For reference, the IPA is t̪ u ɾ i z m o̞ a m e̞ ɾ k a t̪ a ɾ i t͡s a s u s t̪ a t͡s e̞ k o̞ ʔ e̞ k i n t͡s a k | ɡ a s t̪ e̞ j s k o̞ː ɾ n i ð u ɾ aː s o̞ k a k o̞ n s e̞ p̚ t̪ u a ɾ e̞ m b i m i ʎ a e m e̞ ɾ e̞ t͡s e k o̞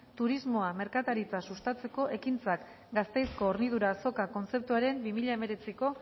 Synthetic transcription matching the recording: t̪ u ɾ i z m o̞ a m e̞ ɾ k a t̪ a ɾ i t͡s a s u s t̪ a t͡s e̞ k o̞ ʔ e̞ k i n t͡s a k | ɡ a s t̪ e̞ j s k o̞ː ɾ n i ð u ɾ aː s o̞ k a k o̞ n t͡s e̞ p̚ t̪ u a ɾ e̞ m b i m i ʎ a e m e̞ ɾ e̞ t͡s i k o̞